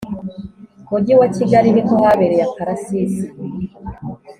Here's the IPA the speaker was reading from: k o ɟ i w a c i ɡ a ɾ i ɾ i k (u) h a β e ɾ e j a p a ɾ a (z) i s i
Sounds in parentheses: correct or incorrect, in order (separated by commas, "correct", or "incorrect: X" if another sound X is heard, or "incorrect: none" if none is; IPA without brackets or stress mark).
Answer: incorrect: o, incorrect: s